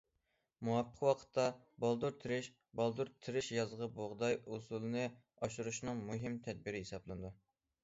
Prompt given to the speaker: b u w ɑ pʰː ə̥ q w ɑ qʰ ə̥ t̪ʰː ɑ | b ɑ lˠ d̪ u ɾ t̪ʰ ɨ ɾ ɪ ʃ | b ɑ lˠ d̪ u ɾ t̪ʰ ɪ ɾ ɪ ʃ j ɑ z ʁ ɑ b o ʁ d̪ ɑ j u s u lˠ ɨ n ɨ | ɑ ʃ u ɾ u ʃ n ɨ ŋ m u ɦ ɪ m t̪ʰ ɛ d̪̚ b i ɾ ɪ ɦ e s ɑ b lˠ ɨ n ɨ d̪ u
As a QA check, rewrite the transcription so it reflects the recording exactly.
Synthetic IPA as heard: m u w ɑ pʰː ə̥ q w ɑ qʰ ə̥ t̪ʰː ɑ | b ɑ lˠ d̪ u ɾ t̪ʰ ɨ ɾ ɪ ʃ | b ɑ lˠ d̪ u ɾ t̪ʰ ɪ ɾ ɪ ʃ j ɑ z ʁ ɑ b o ʁ d̪ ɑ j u s u lˠ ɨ n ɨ | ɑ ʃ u ɾ u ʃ n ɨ ŋ m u ɦ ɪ m t̪ʰ ɛ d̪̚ b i ɾ ɪ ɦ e s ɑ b lˠ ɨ n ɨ d̪ u

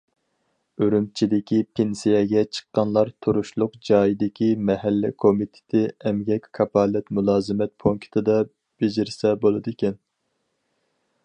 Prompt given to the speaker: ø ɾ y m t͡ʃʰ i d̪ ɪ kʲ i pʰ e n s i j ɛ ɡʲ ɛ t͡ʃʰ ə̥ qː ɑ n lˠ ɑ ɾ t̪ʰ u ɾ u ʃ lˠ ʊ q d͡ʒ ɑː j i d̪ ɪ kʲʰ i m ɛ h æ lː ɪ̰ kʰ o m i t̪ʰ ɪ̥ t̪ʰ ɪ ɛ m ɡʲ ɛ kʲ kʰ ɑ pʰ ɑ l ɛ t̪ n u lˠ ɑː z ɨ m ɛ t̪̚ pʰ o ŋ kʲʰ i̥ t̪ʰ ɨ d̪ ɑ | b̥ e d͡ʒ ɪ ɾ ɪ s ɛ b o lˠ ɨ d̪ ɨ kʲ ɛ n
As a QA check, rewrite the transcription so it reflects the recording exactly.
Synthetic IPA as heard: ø ɾ y m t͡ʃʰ i d̪ ɪ kʲ i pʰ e n s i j ɛ ɡʲ ɛ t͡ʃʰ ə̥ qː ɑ n lˠ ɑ ɾ t̪ʰ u ɾ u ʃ lˠ ʊ q d͡ʒ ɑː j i d̪ ɪ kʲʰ i m ɛ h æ lː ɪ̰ kʰ o m i t̪ʰ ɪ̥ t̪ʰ ɪ ɛ m ɡʲ ɛ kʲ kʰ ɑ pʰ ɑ l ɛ t̪ m u lˠ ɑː z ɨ m ɛ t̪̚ pʰ o ŋ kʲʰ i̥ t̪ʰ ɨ d̪ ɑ | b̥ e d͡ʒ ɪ ɾ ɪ s ɛ b o lˠ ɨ d̪ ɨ kʲ ɛ n

